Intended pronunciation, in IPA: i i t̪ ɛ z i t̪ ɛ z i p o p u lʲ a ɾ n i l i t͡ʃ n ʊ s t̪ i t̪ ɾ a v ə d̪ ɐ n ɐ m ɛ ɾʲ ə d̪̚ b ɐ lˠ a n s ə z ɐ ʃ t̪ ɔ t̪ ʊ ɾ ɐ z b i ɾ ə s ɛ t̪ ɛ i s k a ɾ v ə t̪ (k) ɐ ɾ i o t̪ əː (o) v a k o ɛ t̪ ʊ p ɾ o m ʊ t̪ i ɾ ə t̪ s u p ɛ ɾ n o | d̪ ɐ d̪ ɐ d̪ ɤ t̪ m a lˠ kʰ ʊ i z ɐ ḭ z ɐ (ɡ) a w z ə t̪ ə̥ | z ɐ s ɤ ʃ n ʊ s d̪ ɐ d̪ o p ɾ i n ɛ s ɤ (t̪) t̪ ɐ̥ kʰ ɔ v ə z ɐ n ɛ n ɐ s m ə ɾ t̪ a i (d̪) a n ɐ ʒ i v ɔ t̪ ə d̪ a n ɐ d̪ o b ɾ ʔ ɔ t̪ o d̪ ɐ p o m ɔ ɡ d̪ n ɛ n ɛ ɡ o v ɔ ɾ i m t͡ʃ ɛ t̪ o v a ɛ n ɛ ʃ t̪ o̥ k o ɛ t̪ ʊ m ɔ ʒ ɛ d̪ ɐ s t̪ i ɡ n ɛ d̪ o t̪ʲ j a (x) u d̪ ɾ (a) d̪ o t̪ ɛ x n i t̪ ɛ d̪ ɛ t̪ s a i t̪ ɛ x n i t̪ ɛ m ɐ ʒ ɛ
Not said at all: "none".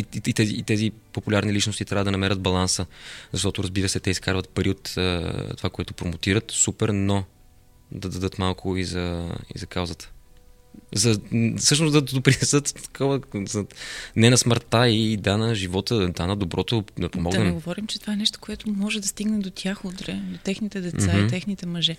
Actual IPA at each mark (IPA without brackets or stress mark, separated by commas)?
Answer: p, o, k, t̪, d̪, x, ɛ